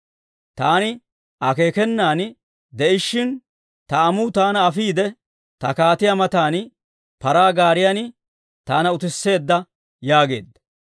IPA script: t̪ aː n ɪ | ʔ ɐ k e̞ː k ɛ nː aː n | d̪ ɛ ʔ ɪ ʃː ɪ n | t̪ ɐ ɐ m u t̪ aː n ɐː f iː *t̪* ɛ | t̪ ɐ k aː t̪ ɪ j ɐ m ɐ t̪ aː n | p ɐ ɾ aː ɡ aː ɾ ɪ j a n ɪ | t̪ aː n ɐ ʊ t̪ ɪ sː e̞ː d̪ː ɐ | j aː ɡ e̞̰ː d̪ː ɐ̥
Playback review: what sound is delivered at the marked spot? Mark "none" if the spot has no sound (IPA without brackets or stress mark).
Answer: d̪